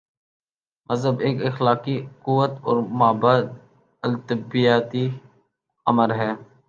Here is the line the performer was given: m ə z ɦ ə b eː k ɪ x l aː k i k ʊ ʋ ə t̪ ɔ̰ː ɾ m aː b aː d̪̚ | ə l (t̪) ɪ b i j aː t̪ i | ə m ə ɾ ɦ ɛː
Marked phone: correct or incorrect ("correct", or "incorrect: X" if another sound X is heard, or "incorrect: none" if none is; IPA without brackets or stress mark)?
correct